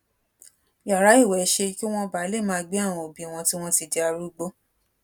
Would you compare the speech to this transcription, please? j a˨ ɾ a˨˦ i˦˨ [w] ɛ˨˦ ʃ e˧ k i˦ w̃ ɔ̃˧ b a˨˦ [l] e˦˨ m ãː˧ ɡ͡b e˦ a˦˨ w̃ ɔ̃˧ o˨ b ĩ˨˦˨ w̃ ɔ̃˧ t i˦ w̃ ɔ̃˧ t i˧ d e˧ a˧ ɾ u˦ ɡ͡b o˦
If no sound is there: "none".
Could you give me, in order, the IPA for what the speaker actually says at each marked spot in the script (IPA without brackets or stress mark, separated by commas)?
w, l